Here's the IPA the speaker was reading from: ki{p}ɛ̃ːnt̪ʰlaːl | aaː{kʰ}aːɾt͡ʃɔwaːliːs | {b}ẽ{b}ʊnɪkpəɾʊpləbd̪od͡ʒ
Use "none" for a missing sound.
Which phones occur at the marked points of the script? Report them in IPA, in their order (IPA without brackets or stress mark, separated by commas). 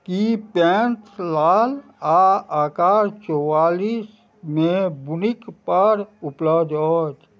p, k, m, b